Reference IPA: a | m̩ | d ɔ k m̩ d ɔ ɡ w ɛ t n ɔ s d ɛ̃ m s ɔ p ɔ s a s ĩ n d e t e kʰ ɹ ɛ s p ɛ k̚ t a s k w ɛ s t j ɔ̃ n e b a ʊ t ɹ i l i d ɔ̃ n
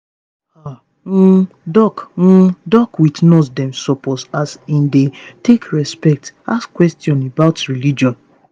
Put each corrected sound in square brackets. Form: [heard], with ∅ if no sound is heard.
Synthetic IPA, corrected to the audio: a | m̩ | d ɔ k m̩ d ɔ [k] w [i] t n ɔ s d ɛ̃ m s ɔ p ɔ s a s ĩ n d e t e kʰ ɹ ɛ s p ɛ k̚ t a s k w ɛ s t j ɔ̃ n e b a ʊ t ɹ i l i [d͡ʒ] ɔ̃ n